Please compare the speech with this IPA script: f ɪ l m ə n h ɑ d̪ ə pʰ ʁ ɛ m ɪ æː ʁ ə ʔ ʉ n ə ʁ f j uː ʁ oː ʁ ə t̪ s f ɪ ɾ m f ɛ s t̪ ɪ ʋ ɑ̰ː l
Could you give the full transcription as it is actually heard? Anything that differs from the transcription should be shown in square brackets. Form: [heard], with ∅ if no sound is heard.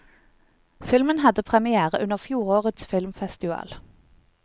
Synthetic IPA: f ɪ l m ə n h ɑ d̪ ə pʰ ʁ ɛ m ɪ æː ʁ ə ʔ ʉ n ə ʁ f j uː ʁ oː ʁ ə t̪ s f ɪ [l] m f ɛ s t̪ ɪ ʋ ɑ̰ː l